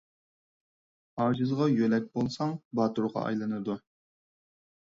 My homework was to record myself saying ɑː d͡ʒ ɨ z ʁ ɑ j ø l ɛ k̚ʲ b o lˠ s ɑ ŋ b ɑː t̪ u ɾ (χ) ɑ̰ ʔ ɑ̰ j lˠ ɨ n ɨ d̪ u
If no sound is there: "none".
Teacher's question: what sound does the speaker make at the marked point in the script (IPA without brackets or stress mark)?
ʁ